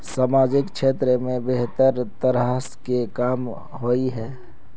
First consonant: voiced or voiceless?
voiceless